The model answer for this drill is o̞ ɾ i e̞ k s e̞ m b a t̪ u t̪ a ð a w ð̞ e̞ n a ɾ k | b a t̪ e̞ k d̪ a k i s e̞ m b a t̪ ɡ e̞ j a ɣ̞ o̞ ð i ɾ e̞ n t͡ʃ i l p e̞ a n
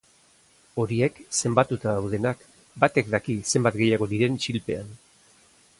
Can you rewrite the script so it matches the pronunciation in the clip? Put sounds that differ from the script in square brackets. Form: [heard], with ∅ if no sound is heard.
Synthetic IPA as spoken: o̞ ɾ i e̞ k s e̞ m b a t̪ u t̪ a ð a w ð̞ e̞ n a [∅] k | b a t̪ e̞ k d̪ a k i s e̞ m b a t̪ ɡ e̞ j a ɣ̞ o̞ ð i ɾ e̞ n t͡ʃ i l p e̞ a n